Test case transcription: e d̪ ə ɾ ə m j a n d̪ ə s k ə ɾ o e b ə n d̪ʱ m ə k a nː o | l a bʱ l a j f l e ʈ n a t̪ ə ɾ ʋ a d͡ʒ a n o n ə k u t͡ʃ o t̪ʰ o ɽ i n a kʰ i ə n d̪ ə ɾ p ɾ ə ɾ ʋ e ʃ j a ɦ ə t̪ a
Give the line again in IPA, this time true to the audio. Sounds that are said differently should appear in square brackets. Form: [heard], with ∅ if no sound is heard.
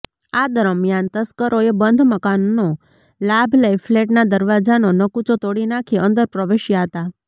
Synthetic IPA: [a] d̪ ə ɾ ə m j a n [t̪] ə s k ə ɾ o e b ə n d̪ʱ m ə k a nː o | l a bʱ l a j f l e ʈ n a [d̪] ə ɾ ʋ a d͡ʒ a n o n ə k u t͡ʃ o [t̪] o ɽ i n a kʰ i ə n d̪ ə ɾ p ɾ ə [∅] ʋ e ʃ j a ɦ ə t̪ a